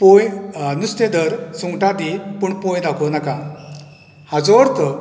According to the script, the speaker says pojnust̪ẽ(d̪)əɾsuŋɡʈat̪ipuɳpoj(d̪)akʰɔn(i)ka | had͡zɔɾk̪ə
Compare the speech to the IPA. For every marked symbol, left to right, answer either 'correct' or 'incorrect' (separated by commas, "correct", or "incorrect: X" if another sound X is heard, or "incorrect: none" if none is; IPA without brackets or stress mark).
correct, correct, incorrect: a